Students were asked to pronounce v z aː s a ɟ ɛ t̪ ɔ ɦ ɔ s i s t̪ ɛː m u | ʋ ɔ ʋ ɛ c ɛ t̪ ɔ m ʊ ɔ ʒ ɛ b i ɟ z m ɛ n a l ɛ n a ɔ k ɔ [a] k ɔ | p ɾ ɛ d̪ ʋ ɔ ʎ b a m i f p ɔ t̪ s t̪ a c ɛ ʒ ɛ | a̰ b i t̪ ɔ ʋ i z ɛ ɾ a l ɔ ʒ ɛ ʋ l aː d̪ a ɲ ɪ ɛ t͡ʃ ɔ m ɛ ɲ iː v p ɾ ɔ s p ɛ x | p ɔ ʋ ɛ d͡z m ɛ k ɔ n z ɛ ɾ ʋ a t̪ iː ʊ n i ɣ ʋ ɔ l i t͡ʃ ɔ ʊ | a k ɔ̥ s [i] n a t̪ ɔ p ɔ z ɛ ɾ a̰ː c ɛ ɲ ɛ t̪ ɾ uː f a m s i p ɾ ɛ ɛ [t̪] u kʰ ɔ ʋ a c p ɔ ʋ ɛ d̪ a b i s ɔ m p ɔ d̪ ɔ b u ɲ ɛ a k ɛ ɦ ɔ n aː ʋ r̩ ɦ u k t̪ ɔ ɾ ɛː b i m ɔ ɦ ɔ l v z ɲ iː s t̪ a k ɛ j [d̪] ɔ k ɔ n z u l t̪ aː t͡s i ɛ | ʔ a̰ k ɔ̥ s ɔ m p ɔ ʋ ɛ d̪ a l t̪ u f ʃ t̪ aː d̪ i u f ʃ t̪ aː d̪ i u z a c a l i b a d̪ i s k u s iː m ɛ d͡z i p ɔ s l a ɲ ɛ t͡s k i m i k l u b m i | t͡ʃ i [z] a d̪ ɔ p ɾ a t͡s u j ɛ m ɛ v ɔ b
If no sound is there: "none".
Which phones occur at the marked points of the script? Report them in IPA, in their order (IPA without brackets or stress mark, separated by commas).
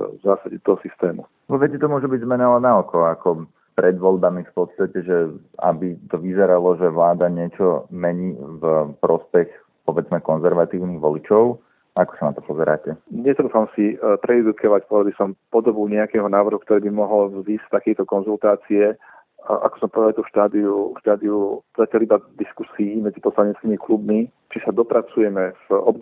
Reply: a, a, d̪, t̪, s